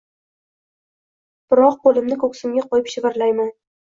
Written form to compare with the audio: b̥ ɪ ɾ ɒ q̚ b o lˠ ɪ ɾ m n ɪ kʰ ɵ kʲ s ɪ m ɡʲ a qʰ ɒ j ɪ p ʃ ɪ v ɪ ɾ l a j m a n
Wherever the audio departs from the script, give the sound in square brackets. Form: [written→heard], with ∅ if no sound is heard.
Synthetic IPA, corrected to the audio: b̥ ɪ ɾ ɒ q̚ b o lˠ ɪ [ɾ→∅] m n ɪ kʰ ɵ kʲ s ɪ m ɡʲ a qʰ ɒ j ɪ p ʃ ɪ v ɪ ɾ l a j m a n